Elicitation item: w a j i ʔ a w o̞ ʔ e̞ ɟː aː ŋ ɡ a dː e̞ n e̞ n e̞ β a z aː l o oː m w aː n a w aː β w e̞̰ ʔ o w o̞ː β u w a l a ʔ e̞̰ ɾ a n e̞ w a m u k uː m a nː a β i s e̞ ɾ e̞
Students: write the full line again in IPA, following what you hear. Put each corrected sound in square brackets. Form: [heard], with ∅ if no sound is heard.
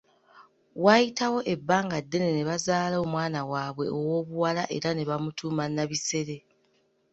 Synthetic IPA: w a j i [t] a w o̞ ʔ e̞ [bː] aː ŋ ɡ a dː e̞ n e̞ n e̞ β a z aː l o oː m w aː n a w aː β w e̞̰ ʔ o w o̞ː β u w a l a ʔ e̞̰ ɾ a n e̞ [β] a m u [t] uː m a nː a β i s e̞ ɾ e̞